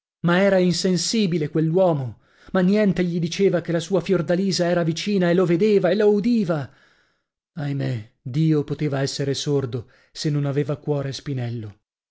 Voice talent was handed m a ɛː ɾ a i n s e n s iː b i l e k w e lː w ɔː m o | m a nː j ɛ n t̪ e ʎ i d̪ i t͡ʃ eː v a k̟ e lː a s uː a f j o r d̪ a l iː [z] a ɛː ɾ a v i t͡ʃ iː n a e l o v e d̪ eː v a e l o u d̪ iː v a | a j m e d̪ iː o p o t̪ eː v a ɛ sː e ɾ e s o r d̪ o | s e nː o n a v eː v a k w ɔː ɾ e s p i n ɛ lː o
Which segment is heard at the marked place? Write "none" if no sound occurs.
z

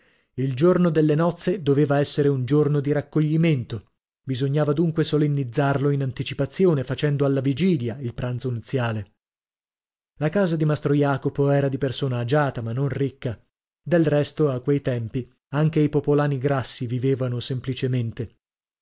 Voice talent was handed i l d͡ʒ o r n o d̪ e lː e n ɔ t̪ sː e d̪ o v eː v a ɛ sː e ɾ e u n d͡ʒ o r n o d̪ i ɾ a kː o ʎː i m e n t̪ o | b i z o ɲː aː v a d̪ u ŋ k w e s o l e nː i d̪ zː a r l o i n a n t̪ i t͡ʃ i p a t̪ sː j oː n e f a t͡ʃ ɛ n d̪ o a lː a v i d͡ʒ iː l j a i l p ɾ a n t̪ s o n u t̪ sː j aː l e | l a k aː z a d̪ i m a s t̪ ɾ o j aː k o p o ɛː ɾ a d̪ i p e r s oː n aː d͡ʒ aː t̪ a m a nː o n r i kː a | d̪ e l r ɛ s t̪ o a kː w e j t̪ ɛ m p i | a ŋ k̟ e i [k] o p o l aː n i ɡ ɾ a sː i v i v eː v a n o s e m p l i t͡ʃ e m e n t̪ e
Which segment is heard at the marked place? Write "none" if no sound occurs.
p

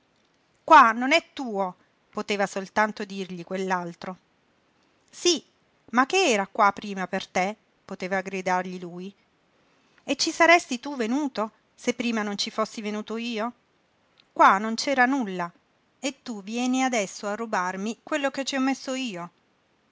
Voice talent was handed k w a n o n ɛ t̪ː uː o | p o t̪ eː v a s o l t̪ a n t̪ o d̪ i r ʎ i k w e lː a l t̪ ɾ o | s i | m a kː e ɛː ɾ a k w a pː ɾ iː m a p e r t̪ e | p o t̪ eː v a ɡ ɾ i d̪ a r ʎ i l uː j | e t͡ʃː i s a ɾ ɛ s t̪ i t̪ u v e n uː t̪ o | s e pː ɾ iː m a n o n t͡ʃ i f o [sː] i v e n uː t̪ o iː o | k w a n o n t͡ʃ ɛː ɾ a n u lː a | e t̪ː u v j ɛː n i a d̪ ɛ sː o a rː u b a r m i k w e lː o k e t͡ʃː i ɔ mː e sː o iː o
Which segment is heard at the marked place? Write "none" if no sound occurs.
sː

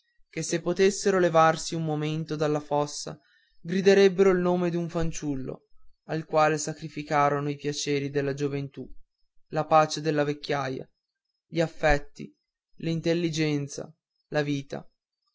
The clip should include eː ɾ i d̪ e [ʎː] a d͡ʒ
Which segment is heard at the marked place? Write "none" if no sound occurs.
lː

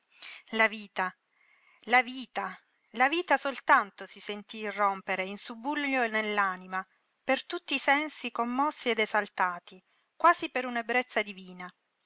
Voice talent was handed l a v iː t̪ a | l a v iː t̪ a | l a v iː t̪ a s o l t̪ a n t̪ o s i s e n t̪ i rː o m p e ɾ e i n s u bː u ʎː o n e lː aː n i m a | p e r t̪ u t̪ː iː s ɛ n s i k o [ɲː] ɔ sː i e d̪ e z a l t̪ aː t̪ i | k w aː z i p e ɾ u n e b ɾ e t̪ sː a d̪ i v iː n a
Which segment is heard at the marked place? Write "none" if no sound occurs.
mː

